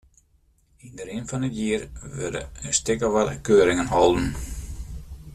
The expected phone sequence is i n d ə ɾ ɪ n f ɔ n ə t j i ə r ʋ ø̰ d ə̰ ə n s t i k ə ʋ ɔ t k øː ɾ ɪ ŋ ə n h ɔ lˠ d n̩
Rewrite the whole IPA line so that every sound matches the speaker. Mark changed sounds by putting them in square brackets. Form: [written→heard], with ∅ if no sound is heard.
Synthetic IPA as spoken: i n d ə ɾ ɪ n f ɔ n ə t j i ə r ʋ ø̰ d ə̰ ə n s t [i→ɪ] k ə ʋ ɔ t k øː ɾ ɪ ŋ ə n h ɔ lˠ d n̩